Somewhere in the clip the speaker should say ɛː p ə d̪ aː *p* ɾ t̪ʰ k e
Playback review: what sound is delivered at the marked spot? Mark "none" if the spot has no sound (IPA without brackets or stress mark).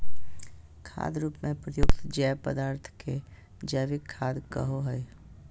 none